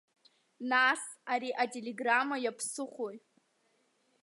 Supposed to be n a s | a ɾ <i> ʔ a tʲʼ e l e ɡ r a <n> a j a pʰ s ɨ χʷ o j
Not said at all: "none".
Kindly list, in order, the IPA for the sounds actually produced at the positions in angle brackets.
i, m

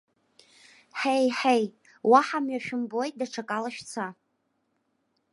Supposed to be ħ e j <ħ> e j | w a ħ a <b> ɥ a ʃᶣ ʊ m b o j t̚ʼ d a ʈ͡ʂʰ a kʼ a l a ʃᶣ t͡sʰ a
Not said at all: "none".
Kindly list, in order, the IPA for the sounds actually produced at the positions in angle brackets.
ħ, m

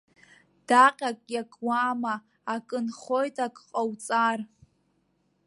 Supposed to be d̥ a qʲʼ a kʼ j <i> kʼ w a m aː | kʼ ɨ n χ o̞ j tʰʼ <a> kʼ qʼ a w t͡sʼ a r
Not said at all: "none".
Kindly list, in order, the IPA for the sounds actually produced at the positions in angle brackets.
a, a

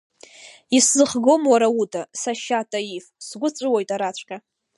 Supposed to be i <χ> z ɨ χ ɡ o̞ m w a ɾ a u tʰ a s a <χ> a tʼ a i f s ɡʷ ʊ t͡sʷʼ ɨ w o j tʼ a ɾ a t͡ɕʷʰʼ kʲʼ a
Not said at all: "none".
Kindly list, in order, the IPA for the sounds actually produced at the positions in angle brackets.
s, ʃ

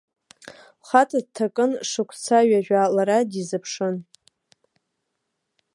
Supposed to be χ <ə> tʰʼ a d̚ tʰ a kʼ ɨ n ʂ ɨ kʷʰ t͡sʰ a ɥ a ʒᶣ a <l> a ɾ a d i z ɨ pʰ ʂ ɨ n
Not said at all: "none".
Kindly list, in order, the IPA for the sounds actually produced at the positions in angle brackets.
a, l

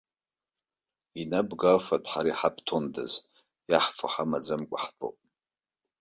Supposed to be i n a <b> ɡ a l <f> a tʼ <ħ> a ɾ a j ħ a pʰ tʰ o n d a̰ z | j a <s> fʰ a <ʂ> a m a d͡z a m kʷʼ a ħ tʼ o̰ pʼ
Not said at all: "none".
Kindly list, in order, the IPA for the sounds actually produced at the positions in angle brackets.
b, f, ħ, ħ, ħ

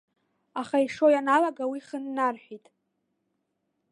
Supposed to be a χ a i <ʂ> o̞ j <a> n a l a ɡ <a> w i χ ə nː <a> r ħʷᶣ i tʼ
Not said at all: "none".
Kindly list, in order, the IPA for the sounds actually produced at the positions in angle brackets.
ʂ, a, a, a

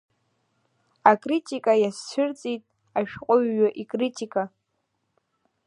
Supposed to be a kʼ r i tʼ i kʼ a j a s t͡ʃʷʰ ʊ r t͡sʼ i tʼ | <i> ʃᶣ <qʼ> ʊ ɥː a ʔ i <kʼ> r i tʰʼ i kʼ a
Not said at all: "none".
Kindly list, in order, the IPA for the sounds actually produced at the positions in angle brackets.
a, qʼ, kʼ

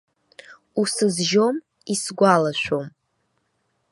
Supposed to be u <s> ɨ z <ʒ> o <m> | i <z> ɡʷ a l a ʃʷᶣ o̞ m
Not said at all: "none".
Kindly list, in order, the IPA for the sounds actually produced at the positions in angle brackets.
s, ʒ, m, s

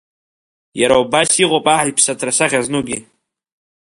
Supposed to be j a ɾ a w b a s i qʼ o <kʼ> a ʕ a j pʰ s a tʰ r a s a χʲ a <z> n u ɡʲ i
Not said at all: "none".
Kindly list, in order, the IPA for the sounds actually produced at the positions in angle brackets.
pʼ, z

